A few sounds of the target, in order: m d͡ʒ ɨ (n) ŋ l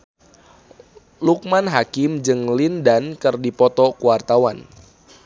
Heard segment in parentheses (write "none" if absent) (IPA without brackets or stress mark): none